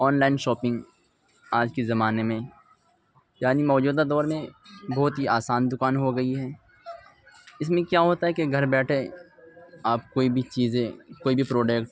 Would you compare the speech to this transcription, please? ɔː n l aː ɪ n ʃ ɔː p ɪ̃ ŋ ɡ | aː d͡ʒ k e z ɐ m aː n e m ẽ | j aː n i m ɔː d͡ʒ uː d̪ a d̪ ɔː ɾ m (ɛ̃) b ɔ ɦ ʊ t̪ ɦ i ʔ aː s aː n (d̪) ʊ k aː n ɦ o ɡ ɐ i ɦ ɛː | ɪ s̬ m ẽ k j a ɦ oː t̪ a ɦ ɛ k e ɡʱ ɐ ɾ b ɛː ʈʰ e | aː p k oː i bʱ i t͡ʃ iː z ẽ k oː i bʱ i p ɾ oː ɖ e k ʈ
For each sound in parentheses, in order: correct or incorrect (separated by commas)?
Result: incorrect, correct